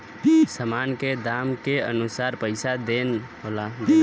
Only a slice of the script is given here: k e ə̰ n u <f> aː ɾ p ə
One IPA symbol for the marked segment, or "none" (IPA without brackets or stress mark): s